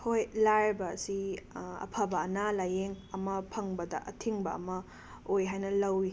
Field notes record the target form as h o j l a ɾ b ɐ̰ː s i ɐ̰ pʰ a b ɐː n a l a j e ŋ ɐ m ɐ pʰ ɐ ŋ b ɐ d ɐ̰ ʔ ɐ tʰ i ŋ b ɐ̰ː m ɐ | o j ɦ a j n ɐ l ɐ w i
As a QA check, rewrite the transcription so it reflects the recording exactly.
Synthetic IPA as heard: h o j l a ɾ b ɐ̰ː s i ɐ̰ pʰ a b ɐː n a l a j e ŋ ɐ m ɐ pʰ ɐ ŋ b ɐ d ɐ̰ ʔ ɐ tʰ i ŋ b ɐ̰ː m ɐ | o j ɦ a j n ɐ l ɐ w i